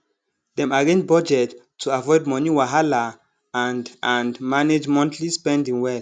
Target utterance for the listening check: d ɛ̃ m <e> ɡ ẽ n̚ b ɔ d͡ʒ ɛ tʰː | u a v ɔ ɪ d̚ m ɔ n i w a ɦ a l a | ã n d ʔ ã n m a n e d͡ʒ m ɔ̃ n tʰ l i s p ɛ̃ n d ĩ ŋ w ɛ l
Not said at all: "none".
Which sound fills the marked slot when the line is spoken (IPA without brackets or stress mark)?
a